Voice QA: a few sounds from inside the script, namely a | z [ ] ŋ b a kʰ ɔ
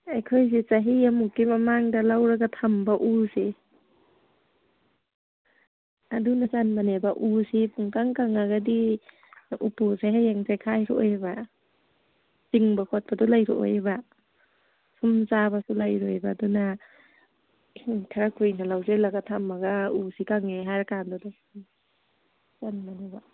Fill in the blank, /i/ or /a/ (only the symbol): i